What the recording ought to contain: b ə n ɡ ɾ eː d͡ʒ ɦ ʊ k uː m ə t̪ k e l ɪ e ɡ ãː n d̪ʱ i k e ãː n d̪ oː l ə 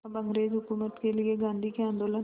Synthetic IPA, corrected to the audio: b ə ŋ ɡ ɾ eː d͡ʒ ɦ ʊ k uː m ə t̪ k e l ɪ e ɡ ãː n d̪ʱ i k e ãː n d̪ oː l ə